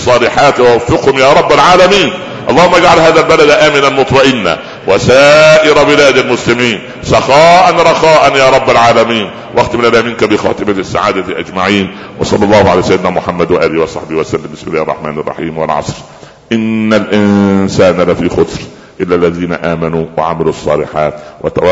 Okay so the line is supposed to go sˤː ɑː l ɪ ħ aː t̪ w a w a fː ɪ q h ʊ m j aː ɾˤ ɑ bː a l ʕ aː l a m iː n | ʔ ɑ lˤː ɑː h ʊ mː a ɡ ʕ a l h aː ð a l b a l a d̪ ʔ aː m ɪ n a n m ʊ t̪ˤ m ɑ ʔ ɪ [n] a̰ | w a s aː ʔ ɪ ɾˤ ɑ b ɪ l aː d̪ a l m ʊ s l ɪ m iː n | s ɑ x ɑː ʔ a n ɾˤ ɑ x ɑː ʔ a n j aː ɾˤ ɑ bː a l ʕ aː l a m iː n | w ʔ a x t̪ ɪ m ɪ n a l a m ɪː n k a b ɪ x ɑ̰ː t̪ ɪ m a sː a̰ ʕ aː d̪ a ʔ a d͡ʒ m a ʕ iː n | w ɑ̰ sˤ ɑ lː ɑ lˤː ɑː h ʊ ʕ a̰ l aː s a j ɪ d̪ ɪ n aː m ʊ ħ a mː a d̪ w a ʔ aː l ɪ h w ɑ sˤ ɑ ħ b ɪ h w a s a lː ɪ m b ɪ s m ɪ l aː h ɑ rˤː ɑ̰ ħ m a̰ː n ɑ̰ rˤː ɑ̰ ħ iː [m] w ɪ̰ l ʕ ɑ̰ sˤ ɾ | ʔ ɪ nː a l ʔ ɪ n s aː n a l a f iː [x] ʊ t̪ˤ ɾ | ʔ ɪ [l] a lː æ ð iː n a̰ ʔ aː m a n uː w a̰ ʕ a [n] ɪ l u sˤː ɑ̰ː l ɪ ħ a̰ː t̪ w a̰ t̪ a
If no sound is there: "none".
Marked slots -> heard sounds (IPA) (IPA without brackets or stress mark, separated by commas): nː, m, x, lː, m